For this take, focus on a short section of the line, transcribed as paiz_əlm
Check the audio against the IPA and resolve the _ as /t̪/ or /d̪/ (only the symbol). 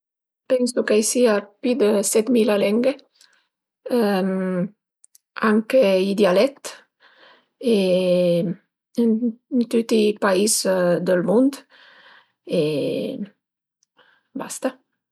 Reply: d̪